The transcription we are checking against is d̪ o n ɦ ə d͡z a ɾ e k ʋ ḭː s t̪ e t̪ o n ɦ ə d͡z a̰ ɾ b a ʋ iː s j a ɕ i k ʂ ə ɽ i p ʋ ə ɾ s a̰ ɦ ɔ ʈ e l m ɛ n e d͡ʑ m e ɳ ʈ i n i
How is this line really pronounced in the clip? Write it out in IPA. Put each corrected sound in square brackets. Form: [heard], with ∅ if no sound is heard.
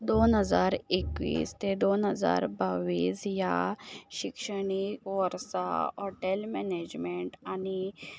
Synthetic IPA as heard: d̪ o n ɦ ə d͡z a ɾ e k ʋ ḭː s t̪ e [d̪] o n ɦ ə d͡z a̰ ɾ b a ʋ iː s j a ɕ i k ʂ ə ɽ i [k] ʋ ə ɾ s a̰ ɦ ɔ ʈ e l m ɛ n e d͡ʑ m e ɳ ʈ [a] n i

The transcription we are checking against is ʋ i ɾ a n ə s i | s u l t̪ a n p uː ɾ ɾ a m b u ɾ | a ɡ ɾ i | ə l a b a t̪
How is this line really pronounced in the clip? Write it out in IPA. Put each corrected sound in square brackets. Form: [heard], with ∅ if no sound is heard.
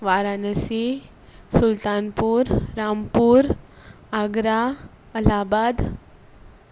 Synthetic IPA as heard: ʋ [a] ɾ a n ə s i | s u l t̪ a n p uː ɾ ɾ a m [p] u ɾ | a ɡ ɾ [a] | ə l a b a [d̪]

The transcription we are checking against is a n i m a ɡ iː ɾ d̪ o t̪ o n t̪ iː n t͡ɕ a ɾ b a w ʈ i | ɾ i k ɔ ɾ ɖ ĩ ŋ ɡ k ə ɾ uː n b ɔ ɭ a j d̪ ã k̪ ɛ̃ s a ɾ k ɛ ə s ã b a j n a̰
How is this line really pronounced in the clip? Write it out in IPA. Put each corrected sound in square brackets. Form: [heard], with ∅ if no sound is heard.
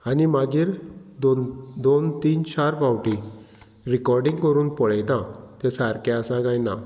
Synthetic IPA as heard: a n i m a ɡ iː ɾ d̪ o [d̪] o n t̪ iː n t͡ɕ a ɾ b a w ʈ i | ɾ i k ɔ ɾ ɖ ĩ ŋ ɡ k ə ɾ uː n [p] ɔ ɭ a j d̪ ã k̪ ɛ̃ s a ɾ k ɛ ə s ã [ɡ] a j n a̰

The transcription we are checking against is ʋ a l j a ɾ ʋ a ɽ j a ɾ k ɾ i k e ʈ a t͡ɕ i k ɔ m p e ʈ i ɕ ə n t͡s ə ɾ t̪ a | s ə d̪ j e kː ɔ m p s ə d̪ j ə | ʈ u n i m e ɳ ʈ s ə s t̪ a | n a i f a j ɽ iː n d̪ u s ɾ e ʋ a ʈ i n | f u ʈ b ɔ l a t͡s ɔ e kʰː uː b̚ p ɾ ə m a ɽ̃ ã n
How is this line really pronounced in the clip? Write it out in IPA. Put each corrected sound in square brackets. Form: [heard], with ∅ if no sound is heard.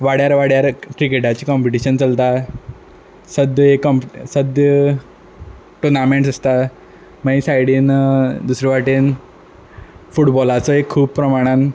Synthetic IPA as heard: ʋ a [ɽ] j a ɾ ʋ a ɽ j a ɾ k ɾ i k e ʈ a t͡ɕ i k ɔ m p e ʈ i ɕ ə n t͡s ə [l] t̪ a | s ə d̪ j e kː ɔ m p s ə d̪ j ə | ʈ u n [a] m e ɳ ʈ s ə s t̪ a | [m] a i [s] a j ɽ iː n d̪ u s ɾ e ʋ a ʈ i n | f u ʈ b ɔ l a t͡s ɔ e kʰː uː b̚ p ɾ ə m a ɽ̃ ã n

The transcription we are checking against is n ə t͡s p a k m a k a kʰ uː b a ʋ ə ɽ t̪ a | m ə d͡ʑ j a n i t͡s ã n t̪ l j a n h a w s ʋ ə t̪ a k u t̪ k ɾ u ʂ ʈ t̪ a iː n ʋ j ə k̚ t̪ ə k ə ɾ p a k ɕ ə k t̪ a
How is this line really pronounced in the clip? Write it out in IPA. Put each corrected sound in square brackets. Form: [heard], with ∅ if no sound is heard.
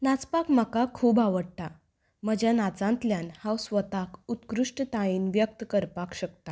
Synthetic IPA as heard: n [a] t͡s p a k m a k a kʰ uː b a ʋ ə ɽ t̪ a | m ə d͡ʑ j a n [a] t͡s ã n t̪ l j a n h a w s ʋ ə t̪ a k u t̪ k ɾ u ʂ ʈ t̪ a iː n ʋ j ə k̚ t̪ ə k ə ɾ p a k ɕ ə k t̪ a

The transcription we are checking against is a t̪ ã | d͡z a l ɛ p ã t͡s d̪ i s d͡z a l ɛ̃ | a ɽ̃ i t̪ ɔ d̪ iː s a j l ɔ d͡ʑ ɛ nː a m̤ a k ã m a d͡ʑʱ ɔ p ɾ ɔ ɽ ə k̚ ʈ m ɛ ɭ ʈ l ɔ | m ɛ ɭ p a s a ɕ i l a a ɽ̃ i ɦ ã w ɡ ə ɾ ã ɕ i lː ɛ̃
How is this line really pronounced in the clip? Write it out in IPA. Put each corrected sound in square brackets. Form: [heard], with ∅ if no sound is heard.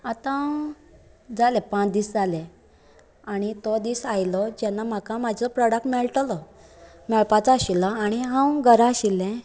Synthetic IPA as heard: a t̪ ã | d͡z a l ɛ p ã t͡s d̪ i s d͡z a l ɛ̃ | a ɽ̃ i t̪ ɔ d̪ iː s a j l ɔ d͡ʑ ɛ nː a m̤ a k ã m a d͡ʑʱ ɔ p ɾ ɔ ɽ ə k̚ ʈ m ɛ ɭ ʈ l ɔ | m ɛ ɭ p a [t͡s] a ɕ i l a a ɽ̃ i ɦ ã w ɡ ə ɾ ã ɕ i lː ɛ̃

